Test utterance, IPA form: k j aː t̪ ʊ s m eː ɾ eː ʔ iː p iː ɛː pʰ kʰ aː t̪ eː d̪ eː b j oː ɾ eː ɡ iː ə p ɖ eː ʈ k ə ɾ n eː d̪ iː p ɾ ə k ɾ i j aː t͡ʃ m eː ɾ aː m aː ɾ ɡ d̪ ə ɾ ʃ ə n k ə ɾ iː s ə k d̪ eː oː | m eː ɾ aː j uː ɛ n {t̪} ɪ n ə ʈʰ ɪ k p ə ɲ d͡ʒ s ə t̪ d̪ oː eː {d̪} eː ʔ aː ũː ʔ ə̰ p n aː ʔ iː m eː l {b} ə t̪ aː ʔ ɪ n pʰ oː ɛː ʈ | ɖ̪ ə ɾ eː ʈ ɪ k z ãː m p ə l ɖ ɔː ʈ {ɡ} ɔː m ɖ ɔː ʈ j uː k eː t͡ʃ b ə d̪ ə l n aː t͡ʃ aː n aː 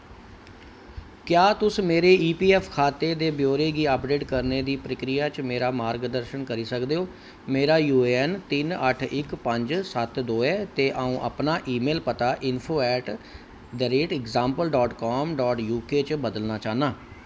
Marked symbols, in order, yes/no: yes, no, no, no

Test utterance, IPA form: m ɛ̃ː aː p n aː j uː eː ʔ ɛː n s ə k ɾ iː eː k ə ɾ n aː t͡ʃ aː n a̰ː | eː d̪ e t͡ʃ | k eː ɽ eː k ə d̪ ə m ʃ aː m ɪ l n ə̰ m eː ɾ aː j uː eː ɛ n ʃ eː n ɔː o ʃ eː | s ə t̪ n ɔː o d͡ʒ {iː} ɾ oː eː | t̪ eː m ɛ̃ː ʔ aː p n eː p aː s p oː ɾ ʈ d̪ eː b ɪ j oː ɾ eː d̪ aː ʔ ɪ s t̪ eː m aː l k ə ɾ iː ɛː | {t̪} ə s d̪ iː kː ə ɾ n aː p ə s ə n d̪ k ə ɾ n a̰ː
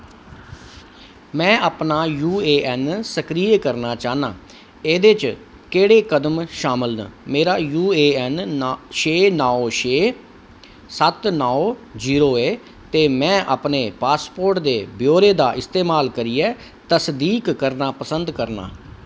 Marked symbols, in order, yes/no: yes, yes

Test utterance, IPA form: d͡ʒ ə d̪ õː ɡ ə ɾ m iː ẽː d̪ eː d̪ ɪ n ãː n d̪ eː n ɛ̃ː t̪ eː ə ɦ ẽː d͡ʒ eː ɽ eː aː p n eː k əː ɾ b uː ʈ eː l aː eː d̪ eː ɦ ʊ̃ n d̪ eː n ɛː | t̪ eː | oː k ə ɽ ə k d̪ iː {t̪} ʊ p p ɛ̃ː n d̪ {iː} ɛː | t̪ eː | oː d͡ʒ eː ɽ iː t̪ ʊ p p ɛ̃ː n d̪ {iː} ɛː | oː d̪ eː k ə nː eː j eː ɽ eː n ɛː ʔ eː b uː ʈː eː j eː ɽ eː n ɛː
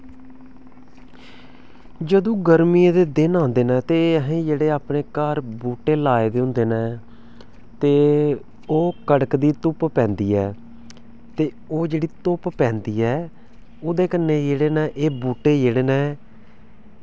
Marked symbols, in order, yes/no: yes, yes, yes

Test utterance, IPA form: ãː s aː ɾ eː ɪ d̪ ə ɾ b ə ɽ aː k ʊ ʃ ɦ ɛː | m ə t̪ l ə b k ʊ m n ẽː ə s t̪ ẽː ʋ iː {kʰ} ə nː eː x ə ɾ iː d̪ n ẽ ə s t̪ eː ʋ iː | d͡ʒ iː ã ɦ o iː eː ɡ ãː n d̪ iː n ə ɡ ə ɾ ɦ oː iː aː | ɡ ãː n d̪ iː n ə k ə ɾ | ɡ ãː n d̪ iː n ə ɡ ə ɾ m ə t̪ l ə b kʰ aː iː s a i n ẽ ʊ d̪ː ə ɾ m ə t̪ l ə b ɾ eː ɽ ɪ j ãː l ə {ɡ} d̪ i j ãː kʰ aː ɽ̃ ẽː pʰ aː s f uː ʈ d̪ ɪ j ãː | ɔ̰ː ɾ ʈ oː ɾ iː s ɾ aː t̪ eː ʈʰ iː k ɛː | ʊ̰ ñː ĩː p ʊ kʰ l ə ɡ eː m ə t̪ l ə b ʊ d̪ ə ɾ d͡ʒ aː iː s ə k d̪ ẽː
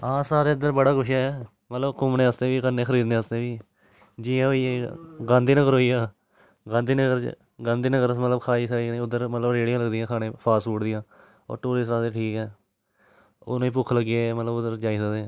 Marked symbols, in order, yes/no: no, yes

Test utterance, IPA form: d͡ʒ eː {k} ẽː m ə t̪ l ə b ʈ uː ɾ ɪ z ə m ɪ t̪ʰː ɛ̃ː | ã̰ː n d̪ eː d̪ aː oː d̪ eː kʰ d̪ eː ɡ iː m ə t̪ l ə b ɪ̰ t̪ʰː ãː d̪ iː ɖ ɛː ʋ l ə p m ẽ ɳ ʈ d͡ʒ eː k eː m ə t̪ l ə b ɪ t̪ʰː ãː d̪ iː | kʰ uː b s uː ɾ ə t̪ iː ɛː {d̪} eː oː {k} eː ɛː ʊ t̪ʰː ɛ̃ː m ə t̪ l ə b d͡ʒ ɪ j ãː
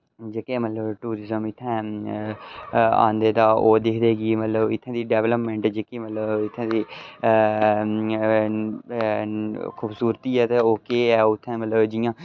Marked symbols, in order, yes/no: yes, no, yes

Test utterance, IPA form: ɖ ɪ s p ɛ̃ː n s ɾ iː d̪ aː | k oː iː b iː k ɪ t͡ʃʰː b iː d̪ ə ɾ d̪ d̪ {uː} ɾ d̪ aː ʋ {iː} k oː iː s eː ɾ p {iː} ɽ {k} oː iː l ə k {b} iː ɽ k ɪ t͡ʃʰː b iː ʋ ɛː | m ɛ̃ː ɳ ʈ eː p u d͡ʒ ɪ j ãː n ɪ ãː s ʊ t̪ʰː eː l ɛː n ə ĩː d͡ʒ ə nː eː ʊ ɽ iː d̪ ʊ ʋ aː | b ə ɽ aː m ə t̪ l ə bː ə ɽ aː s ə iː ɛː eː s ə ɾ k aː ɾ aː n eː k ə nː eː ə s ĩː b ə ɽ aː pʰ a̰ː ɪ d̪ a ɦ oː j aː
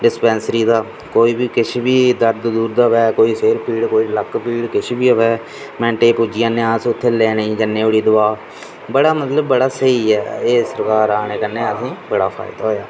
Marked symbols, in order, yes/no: yes, no, yes, yes, no

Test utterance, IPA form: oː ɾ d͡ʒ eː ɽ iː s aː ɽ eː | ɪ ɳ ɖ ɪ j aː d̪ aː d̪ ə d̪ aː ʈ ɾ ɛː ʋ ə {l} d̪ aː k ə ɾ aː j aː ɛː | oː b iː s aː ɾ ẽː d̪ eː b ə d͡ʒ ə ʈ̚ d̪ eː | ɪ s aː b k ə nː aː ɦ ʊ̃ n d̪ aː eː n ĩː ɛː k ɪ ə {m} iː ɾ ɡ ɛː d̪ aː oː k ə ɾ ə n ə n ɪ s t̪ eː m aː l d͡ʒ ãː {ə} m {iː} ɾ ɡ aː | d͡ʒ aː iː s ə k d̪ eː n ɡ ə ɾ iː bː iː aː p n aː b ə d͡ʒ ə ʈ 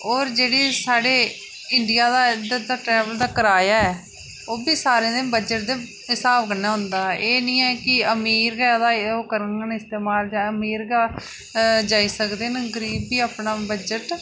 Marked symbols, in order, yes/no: yes, yes, yes, yes

